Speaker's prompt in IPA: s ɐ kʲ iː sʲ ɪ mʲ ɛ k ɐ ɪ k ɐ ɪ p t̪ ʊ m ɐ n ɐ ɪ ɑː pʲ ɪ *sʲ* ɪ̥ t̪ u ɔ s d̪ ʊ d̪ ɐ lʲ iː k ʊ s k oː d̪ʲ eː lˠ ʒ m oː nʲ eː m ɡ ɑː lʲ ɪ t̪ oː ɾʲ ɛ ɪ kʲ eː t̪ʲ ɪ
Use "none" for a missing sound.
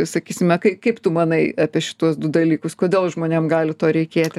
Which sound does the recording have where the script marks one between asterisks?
ʃʲ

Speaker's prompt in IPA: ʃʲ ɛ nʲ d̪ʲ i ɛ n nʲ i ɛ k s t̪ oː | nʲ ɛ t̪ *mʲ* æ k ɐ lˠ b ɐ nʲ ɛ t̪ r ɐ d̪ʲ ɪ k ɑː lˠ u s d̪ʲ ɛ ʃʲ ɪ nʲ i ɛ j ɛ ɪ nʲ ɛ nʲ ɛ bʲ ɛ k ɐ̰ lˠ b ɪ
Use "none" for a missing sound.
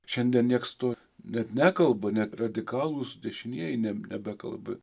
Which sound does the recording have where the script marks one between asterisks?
nʲ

